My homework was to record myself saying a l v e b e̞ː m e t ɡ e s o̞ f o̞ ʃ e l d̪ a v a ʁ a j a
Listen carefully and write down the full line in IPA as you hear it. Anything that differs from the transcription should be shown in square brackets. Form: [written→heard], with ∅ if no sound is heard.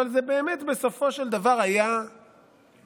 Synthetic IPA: a l [v→z] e b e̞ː m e t [ɡ→b] e s o̞ f o̞ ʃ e l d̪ a v a ʁ a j a